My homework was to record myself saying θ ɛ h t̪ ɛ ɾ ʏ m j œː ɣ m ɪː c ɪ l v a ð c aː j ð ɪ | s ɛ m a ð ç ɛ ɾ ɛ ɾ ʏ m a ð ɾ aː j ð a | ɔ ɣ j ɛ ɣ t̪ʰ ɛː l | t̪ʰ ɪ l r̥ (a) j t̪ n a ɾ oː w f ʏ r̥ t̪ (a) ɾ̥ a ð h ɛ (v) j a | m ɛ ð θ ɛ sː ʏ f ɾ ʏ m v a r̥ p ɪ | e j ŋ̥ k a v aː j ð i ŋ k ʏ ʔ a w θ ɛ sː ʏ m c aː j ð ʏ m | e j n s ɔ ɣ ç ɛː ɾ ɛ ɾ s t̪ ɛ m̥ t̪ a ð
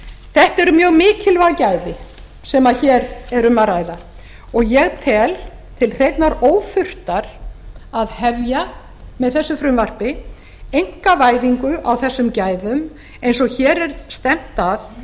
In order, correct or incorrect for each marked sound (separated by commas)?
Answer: incorrect, correct, correct